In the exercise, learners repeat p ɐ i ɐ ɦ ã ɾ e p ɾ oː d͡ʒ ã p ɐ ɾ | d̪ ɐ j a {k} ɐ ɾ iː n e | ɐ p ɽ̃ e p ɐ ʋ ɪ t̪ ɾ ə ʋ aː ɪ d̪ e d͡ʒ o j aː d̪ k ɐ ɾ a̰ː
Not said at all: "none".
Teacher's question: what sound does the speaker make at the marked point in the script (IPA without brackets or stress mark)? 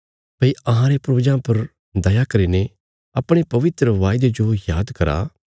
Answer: k